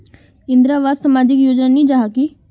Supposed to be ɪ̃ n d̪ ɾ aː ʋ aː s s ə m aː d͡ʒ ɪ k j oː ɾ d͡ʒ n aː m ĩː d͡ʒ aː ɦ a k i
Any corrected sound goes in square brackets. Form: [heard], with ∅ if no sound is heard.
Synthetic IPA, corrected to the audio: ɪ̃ n d̪ ɾ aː ʋ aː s s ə m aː d͡ʒ ɪ k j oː [∅] d͡ʒ n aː [n] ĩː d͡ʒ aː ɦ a k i

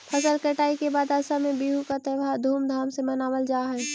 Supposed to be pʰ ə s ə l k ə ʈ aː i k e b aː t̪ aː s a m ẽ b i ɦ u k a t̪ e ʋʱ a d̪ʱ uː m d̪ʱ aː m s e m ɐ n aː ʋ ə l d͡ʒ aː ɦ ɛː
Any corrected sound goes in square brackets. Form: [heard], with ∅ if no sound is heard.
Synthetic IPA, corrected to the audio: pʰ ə s ə l k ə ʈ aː i k e b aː [d̪] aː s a m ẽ b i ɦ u k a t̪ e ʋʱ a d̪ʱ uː m d̪ʱ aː m s e m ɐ n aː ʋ ə l d͡ʒ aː ɦ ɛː

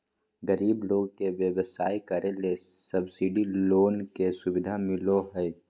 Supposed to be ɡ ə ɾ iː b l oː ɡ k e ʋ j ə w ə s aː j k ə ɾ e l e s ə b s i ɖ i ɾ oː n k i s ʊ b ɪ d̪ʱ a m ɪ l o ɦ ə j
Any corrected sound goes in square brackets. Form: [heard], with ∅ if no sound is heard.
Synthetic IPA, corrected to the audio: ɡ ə ɾ iː b l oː ɡ k e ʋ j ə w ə s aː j k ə ɾ e l e s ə b s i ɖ i [l] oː n k [e] s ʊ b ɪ d̪ʱ a m ɪ l o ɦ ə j

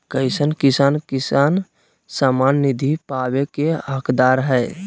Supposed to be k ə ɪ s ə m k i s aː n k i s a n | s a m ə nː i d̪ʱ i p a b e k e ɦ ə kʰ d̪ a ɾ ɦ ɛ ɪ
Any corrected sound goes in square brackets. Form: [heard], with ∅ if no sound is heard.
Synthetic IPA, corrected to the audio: k ə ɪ s ə [n] k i s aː n k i s a n | s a m [a] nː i d̪ʱ i p a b e k e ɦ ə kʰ d̪ a ɾ ɦ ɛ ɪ

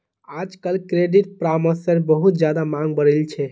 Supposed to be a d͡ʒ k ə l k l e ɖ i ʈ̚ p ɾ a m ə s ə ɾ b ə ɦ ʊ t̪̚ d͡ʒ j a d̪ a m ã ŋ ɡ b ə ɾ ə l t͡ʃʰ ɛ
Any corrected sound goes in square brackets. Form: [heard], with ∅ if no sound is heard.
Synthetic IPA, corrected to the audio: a d͡ʒ k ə l k [ɾ] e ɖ i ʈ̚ p ɾ a m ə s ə ɾ b ə ɦ [u] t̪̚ d͡ʒ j a d̪ a m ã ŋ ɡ b ə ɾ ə l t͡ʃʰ ɛ

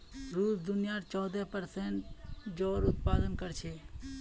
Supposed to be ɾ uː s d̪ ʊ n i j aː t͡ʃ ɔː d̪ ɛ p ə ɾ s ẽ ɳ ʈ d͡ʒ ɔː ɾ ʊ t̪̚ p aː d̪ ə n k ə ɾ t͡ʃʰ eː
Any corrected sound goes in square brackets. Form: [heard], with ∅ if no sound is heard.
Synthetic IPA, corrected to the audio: ɾ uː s d̪ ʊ n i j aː t͡ʃ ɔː d̪ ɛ p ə ɾ s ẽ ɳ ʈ d͡ʒ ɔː ɾ ʊ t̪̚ p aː d̪ ə n k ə ɾ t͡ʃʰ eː

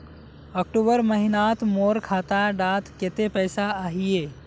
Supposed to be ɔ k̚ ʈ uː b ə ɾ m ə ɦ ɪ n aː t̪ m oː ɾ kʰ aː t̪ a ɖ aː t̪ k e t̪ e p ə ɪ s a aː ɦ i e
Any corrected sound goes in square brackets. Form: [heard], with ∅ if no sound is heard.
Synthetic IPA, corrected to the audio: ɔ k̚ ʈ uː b ə ɾ m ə ɦ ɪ n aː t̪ m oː ɾ kʰ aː t̪ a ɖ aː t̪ k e t̪ e p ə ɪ s a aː ɦ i e

